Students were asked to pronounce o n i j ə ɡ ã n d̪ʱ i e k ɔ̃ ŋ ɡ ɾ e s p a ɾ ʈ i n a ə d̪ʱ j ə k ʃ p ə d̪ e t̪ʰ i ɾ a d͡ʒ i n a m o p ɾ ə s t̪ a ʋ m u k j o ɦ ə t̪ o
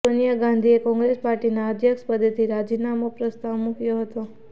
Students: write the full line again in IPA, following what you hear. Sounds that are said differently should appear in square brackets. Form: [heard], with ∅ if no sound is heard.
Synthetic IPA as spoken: o n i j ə ɡ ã n d̪ʱ i e k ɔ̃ ŋ ɡ ɾ e s p a ɾ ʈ i n a ə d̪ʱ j ə k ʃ p ə d̪ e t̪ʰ i ɾ a d͡ʒ i n a m o p ɾ ə s t̪ a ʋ m u k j o ɦ ə t̪ o